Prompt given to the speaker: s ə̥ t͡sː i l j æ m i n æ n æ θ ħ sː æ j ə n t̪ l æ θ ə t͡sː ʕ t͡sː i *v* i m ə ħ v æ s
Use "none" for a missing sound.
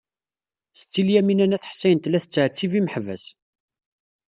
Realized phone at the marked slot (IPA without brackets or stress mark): v